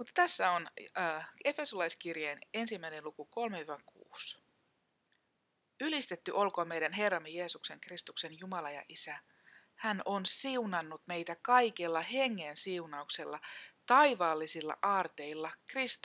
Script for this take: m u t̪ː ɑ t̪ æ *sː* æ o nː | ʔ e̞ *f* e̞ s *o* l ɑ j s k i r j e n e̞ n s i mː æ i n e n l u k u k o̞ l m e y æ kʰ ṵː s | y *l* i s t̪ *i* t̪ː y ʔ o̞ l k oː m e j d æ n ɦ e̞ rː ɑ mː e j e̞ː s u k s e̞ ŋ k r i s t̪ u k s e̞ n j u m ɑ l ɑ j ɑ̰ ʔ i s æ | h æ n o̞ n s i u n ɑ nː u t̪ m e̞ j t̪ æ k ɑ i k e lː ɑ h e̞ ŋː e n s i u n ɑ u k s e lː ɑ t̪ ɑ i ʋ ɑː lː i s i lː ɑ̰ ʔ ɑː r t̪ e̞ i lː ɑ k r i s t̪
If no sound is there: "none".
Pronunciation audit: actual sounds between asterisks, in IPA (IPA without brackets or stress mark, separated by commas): sː, f, o, l, e